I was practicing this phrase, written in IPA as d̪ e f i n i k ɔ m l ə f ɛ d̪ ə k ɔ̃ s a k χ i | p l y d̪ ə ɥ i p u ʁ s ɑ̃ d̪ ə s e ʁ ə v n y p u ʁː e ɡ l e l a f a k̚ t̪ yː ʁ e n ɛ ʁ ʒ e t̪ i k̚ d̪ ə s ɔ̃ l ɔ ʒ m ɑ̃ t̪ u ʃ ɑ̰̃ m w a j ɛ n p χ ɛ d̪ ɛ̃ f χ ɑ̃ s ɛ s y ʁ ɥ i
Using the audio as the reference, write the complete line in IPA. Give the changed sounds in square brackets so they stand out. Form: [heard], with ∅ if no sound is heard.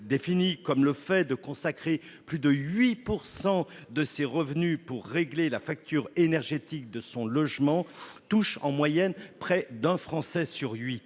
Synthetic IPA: d̪ e f i n i k ɔ m l ə f ɛ d̪ ə k ɔ̃ s a k χ [e] | p l y d̪ ə ɥ i p u ʁ s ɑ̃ d̪ ə s e ʁ ə v n y p u ʁː e ɡ l e l a f a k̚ t̪ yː ʁ e n ɛ ʁ ʒ e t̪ i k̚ d̪ ə s ɔ̃ l ɔ ʒ m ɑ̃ t̪ u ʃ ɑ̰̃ m w a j ɛ n p χ ɛ d̪ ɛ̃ f χ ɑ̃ s ɛ s y ʁ ɥ i